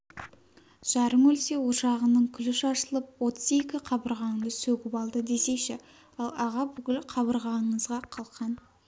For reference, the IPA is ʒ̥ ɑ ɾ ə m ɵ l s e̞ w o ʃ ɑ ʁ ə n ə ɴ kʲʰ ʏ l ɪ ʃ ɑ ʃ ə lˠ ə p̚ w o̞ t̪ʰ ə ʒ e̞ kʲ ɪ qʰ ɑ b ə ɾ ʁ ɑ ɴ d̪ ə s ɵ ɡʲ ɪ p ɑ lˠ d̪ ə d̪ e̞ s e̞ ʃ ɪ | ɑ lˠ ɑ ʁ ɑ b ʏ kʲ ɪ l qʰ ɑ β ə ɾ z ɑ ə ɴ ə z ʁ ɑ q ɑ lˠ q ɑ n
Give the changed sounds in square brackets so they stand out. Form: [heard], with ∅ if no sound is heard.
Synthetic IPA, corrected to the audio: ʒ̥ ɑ ɾ ə m ɵ l s e̞ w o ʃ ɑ ʁ ə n ə ɴ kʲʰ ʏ l ɪ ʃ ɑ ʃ ə lˠ ə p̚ w o̞ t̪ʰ ə [z] e̞ kʲ ɪ qʰ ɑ b ə ɾ ʁ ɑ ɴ d̪ ə s ɵ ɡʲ ɪ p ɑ lˠ d̪ ə d̪ e̞ s e̞ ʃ ɪ | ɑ lˠ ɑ ʁ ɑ b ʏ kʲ ɪ l qʰ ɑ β ə ɾ [ʁ] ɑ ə ɴ ə z ʁ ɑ [qʰ] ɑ lˠ q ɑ n

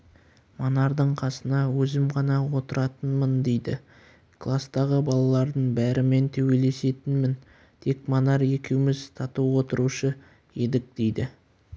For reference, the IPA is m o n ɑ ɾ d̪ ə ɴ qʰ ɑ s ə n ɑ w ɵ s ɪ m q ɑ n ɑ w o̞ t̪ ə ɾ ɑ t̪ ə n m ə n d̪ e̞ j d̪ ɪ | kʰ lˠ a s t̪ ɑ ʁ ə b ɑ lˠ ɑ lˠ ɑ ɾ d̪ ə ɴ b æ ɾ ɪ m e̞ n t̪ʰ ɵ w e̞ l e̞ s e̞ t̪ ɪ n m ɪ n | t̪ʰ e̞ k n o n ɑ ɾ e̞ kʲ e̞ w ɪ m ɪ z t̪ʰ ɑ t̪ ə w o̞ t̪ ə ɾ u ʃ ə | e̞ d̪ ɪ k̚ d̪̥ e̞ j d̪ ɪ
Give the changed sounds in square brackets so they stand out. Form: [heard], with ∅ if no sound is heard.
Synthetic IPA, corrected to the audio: m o n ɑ ɾ d̪ ə ɴ qʰ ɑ s ə n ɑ w ɵ [z] ɪ m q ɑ n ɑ w o̞ t̪ ə ɾ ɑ t̪ ə n m ə n d̪ e̞ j d̪ ɪ | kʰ lˠ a s t̪ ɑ ʁ ə b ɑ lˠ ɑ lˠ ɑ ɾ d̪ ə ɴ b æ ɾ ɪ m e̞ n t̪ʰ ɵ w e̞ l e̞ s e̞ t̪ ɪ n m ɪ n | t̪ʰ e̞ k [m] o n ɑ ɾ e̞ kʲ e̞ w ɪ m ɪ z t̪ʰ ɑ t̪ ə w o̞ t̪ ə ɾ u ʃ ə | e̞ d̪ ɪ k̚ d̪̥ e̞ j d̪ ɪ

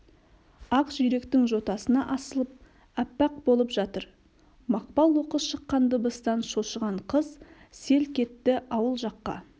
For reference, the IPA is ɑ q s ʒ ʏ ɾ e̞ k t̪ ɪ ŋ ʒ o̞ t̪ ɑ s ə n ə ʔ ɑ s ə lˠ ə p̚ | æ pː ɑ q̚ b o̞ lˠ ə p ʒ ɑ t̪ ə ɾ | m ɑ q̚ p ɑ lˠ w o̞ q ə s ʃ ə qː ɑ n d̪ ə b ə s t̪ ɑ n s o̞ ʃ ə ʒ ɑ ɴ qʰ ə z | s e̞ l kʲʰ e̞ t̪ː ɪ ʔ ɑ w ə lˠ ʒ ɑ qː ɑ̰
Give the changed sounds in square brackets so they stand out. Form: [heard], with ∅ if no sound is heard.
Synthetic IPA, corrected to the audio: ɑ q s ʒ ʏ ɾ e̞ k t̪ ɪ ŋ ʒ o̞ t̪ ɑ s ə n [ɑ] ʔ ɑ s ə lˠ ə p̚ | æ pː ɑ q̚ b o̞ lˠ ə p ʒ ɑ t̪ ə ɾ | m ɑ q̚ p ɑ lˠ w o̞ q ə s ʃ ə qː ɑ n d̪ ə b ə s t̪ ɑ n [ʃ] o̞ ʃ ə [ʁ] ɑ ɴ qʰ ə z | s e̞ l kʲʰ e̞ t̪ː ɪ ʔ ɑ w ə lˠ ʒ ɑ qː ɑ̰

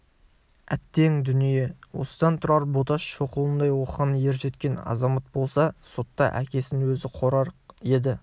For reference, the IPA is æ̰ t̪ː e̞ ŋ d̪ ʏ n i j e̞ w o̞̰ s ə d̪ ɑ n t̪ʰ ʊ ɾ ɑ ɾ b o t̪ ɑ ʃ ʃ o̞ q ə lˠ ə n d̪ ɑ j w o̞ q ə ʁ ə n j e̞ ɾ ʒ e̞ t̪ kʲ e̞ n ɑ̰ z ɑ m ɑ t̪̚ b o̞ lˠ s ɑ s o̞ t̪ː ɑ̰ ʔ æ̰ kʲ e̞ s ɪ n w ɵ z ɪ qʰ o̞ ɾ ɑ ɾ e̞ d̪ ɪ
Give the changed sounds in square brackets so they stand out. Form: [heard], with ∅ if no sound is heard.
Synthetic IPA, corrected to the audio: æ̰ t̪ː e̞ ŋ d̪ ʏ n i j e̞ w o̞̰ s ə d̪ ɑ n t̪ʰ ʊ ɾ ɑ ɾ b o t̪ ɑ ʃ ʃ o̞ q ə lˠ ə n d̪ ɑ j w o̞ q ə ʁ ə n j e̞ ɾ ʒ e̞ t̪ kʲ e̞ n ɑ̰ z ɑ m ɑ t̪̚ b o̞ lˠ s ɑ s o̞ t̪ː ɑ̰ ʔ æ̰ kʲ e̞ s ɪ n w ɵ z ɪ qʰ o̞ ɾ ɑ ɾ e̞ d̪ ɪ

